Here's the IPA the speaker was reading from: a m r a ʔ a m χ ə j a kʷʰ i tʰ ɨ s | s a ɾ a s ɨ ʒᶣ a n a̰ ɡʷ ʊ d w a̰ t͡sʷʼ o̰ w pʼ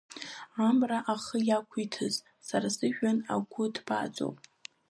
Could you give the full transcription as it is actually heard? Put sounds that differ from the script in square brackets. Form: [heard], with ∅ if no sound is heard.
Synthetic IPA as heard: a m r a ʔ a [∅] χ ə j a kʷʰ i tʰ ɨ [z] | s a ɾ a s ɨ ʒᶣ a n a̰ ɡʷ ʊ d [b] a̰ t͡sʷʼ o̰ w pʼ